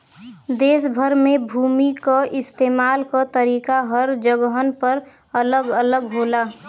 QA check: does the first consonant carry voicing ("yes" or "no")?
yes